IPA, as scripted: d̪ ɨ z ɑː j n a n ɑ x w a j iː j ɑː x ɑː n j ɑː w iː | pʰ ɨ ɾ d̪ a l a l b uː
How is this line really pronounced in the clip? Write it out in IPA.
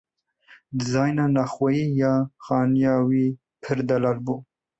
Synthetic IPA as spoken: d̪ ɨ z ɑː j n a n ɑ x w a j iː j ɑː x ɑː n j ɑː w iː | pʰ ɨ ɾ d̪ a l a l b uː